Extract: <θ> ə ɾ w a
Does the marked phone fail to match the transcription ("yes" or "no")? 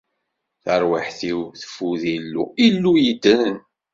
no